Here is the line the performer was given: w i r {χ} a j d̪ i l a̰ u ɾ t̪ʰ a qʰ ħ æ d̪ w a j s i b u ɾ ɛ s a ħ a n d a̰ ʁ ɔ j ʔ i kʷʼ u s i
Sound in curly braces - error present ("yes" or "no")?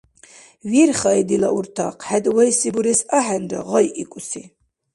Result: no